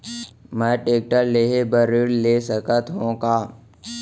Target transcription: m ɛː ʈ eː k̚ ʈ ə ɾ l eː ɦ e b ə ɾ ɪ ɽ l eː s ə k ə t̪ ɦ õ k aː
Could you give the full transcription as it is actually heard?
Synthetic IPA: m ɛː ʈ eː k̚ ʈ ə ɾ l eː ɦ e b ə ɾ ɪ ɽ l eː s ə k ə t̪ ɦ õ k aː